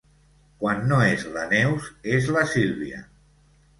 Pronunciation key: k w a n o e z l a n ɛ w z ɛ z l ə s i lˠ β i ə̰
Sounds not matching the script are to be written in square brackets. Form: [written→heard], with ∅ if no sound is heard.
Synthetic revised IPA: k w a [n→nː] o e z l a n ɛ w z [ɛ→e] z l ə s i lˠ β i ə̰